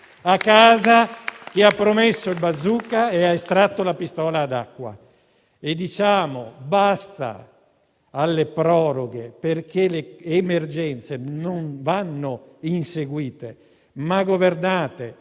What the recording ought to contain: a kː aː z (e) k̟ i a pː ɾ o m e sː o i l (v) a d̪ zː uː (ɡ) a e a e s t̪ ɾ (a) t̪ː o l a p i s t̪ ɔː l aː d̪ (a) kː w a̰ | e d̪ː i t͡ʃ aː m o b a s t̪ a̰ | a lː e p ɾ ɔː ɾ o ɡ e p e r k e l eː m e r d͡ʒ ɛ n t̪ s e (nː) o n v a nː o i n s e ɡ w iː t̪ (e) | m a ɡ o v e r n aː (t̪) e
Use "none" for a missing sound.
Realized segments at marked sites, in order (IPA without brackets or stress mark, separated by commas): a, b, k, a, a, n, e, t̪